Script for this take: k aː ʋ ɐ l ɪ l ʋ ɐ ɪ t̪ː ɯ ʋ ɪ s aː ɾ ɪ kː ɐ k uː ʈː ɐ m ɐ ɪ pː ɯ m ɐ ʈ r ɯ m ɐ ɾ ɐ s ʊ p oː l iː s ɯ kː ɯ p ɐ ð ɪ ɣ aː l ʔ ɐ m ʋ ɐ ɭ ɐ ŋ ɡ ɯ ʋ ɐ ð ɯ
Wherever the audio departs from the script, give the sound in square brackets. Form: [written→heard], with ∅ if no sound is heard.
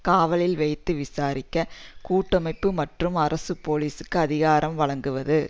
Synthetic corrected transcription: k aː ʋ ɐ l ɪ l ʋ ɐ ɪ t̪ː ɯ ʋ ɪ s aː ɾ ɪ kː ɐ k uː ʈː ɐ m ɐ ɪ pː ɯ m ɐ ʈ r ɯ m ɐ ɾ ɐ s [ʊ→ɯ] p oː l iː s ɯ kː ɯ [p→∅] ɐ ð ɪ ɣ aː [l→ɾ] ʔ ɐ m ʋ ɐ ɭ ɐ ŋ ɡ ɯ ʋ ɐ ð ɯ